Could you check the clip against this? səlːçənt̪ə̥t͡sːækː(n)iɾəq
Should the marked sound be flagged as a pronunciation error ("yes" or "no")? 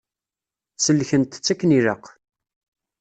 no